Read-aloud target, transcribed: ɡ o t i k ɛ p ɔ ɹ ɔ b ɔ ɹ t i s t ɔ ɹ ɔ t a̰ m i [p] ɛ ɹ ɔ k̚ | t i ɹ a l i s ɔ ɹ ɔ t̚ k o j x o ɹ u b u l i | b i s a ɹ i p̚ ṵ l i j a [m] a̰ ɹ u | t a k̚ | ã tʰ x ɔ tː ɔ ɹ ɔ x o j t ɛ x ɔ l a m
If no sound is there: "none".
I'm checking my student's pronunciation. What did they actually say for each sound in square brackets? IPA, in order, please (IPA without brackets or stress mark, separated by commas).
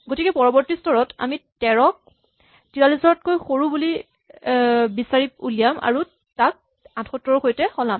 t, m